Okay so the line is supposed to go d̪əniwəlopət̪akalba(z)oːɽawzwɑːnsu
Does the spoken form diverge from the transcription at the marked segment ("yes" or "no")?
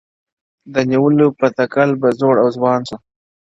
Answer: no